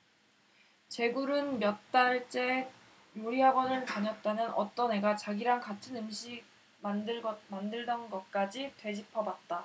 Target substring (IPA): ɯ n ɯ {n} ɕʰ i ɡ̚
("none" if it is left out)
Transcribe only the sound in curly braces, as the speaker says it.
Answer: m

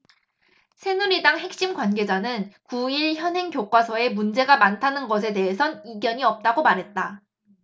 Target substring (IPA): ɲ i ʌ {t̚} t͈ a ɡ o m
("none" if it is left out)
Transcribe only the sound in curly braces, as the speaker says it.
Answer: p̚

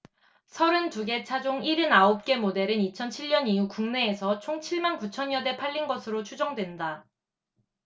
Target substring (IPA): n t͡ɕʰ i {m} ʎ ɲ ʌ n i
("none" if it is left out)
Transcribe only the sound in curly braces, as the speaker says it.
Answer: none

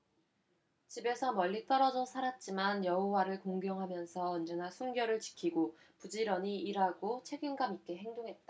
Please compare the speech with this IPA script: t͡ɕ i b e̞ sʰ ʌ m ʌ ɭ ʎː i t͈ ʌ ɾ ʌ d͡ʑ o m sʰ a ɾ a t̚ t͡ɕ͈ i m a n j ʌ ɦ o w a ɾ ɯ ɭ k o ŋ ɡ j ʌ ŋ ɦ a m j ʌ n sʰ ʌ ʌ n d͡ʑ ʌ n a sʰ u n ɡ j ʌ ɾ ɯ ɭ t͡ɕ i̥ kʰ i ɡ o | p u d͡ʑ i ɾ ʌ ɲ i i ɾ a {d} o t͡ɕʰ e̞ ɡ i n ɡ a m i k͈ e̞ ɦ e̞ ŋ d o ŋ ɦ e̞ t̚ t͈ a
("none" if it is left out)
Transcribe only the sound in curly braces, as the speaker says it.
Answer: ɡ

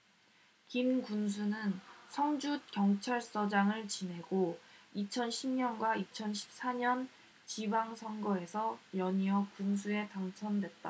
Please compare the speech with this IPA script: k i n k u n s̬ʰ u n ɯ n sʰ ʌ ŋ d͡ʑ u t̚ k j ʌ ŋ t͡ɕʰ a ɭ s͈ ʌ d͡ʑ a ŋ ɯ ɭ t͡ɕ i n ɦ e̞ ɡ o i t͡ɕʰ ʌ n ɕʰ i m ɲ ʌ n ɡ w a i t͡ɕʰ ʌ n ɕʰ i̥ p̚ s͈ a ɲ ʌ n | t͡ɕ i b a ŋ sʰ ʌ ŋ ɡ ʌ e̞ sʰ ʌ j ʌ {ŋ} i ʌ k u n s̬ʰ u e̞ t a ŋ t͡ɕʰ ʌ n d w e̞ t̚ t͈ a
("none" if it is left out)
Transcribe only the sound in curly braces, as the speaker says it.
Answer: ɲ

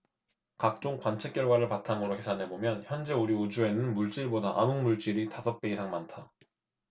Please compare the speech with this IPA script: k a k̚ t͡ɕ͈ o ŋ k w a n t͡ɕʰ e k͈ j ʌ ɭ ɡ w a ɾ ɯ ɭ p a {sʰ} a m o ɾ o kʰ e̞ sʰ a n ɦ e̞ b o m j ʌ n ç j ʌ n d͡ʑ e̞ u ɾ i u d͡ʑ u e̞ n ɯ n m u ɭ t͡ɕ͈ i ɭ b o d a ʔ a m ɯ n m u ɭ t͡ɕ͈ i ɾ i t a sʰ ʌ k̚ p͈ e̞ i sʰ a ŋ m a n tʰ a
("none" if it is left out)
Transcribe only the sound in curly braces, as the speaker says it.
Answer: tʰ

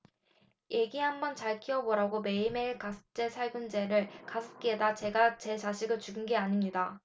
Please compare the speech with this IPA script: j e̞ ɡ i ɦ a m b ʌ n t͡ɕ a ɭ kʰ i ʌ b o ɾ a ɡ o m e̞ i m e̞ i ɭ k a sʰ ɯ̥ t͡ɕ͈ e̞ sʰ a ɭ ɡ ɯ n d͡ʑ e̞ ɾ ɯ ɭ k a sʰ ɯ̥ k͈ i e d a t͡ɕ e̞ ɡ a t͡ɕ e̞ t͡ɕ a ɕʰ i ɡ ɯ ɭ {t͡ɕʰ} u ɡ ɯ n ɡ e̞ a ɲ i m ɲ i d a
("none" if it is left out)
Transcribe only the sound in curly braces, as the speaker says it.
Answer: t͡ɕ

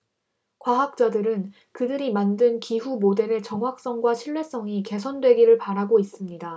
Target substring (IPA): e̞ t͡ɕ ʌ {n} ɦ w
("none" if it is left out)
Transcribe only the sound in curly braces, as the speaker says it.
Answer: ŋ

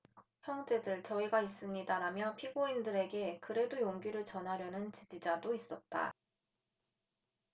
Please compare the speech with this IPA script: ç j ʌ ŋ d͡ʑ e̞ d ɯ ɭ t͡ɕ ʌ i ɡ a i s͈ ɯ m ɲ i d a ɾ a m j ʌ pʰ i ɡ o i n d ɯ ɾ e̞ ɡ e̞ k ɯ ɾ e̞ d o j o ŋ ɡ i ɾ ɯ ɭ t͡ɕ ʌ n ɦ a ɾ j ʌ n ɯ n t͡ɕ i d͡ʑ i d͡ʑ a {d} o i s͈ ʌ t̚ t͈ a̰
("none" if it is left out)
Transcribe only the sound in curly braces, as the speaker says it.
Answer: d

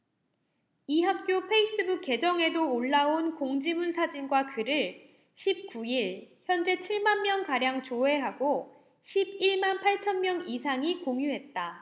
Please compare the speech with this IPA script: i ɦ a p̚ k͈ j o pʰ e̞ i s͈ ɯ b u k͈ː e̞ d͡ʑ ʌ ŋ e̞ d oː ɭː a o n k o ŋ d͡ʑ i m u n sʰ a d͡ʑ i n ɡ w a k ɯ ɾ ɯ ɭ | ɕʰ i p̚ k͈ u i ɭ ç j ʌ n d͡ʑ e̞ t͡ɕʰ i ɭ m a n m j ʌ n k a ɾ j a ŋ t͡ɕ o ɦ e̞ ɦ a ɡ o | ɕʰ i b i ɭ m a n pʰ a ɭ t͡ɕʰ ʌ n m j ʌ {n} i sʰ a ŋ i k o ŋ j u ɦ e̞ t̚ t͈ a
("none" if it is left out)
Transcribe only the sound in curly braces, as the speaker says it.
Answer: ŋ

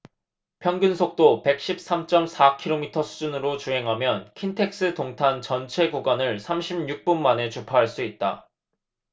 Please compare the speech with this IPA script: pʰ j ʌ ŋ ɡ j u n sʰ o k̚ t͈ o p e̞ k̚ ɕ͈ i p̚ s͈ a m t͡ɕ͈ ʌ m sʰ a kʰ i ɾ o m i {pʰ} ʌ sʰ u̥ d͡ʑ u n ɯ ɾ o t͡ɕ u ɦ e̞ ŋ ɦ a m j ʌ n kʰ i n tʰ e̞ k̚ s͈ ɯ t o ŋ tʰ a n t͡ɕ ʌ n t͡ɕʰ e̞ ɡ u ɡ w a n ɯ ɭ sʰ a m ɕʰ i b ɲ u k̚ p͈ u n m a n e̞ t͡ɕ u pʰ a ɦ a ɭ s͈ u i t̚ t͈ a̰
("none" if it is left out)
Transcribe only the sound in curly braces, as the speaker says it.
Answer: tʰ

